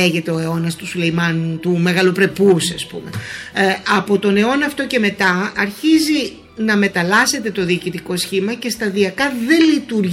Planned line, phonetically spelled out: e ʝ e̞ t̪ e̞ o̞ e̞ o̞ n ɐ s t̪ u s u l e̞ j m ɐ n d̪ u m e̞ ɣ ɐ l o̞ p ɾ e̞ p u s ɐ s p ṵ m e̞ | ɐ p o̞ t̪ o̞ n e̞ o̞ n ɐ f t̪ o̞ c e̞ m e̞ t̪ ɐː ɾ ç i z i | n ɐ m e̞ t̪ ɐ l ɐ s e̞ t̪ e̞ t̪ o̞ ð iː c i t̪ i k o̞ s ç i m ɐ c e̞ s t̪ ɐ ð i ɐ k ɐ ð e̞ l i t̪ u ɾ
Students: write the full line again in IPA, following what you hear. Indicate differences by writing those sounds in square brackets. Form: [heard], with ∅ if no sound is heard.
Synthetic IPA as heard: e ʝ e̞ t̪ e̞ o̞ e̞ o̞ n ɐ s t̪ u s u l e̞ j m ɐ n [t̪] u m e̞ ɣ ɐ l o̞ p ɾ e̞ p u s ɐ s p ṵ m e̞ | ɐ p o̞ t̪ o̞ n e̞ o̞ n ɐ f t̪ o̞ c e̞ m e̞ t̪ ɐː ɾ ç i z i | n ɐ m e̞ t̪ ɐ l ɐ s e̞ t̪ e̞ t̪ o̞ ð iː c i t̪ i k o̞ s ç i m ɐ c e̞ s t̪ ɐ ð i ɐ k ɐ ð e̞ l i t̪ u ɾ